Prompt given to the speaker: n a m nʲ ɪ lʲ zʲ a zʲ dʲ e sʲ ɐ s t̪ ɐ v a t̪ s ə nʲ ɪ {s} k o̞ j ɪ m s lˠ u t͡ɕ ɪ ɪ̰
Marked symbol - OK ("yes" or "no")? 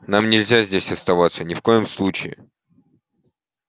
no